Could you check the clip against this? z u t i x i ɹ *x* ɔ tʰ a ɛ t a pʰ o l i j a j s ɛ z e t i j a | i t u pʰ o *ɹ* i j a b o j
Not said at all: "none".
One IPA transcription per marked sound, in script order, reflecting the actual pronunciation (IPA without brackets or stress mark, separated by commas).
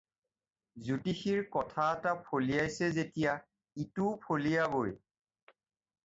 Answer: k, l